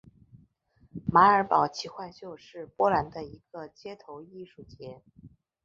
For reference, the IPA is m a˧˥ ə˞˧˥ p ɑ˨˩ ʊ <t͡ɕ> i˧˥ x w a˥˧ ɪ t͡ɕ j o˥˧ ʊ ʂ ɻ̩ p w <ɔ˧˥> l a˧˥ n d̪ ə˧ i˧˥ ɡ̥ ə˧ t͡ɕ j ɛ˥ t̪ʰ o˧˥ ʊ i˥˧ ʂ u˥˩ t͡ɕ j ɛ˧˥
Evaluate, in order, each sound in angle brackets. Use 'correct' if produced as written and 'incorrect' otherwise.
incorrect: t͡ɕʰ, incorrect: ɔ˥

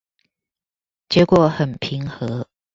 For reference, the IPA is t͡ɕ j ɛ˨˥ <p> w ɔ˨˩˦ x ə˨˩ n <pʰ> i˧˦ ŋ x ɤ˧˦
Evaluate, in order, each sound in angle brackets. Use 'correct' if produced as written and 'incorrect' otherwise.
incorrect: k, correct

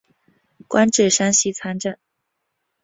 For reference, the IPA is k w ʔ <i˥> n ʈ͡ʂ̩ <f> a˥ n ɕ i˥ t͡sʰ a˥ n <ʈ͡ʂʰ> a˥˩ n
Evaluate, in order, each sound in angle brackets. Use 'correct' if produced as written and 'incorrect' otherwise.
incorrect: a˥, incorrect: ʂ, incorrect: ʈ͡ʂ

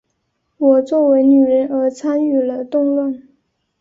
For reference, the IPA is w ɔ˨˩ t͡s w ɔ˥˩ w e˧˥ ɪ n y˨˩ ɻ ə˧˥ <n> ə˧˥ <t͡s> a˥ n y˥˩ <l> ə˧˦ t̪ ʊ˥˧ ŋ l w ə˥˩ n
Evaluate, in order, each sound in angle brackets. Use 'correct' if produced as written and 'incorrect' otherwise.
correct, incorrect: t͡sʰ, correct

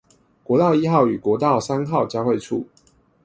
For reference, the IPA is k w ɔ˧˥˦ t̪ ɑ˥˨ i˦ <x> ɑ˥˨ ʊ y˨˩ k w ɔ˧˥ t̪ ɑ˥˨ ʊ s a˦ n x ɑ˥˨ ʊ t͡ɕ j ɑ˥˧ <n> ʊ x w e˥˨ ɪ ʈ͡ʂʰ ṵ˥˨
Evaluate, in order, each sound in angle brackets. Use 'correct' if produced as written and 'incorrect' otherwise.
correct, incorrect: none

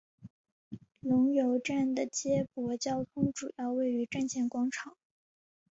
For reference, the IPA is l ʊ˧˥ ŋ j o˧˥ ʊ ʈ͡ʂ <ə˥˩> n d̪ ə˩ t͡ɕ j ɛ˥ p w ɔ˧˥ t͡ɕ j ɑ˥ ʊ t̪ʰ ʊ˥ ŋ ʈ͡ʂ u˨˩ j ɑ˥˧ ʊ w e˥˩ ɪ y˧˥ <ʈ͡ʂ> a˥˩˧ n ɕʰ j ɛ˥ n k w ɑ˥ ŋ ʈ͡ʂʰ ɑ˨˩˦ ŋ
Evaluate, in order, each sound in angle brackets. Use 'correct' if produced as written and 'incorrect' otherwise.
incorrect: a˥˩, correct

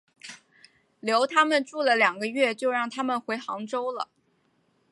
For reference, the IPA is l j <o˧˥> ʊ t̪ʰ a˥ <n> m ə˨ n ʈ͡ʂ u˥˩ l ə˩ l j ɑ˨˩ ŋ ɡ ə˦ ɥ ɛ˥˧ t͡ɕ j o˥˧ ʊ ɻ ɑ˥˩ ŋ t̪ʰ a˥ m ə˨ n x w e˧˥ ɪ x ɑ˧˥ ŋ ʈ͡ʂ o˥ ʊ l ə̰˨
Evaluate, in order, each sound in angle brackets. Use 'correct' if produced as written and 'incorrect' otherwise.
correct, incorrect: none

